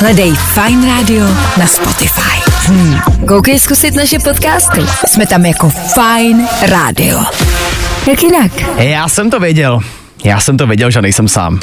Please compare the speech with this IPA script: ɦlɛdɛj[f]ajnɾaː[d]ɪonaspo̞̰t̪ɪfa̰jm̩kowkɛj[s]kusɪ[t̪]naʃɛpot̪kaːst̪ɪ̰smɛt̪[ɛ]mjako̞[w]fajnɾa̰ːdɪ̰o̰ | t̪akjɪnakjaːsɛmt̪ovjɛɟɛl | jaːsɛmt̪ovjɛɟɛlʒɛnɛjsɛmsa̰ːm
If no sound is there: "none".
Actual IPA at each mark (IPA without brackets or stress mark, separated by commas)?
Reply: f, d, s, t̪, a, none